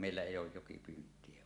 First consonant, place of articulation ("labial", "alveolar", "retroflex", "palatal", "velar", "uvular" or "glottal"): labial